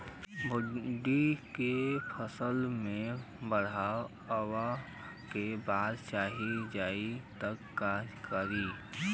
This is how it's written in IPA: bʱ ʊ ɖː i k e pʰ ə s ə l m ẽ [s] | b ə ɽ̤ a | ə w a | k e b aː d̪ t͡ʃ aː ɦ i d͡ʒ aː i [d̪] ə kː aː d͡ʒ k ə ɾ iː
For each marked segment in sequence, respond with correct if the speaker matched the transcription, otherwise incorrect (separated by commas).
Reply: incorrect, incorrect